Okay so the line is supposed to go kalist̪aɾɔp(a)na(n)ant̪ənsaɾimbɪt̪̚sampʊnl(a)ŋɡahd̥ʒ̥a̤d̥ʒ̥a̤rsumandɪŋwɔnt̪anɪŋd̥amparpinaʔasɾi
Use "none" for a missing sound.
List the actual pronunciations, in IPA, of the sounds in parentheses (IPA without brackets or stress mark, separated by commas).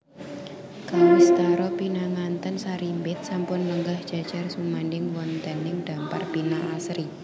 i, ŋ, ə